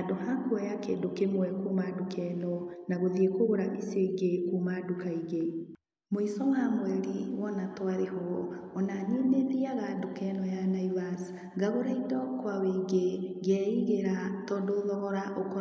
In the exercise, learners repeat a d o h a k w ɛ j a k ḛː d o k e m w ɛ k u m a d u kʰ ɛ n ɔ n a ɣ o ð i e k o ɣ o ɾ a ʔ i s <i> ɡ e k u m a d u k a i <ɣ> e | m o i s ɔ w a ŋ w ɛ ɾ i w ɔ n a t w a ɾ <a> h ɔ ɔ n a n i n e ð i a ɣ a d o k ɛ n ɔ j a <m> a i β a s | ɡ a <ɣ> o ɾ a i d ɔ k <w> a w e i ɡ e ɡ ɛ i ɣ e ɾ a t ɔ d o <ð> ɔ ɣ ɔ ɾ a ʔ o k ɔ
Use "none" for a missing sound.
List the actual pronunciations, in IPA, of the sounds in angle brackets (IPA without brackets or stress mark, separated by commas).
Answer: e, ɣ, e, n, ɣ, w, ð